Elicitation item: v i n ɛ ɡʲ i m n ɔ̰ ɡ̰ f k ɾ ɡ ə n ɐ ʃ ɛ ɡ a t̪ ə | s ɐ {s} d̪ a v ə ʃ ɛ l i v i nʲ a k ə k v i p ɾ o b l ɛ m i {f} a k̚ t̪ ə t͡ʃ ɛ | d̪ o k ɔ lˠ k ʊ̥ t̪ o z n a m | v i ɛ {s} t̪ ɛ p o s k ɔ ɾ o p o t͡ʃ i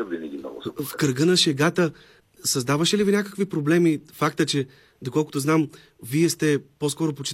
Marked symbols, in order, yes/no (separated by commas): no, yes, yes